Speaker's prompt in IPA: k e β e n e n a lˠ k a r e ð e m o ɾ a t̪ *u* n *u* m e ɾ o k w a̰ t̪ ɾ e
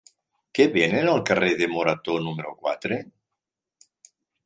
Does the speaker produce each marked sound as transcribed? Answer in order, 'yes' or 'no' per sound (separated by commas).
no, yes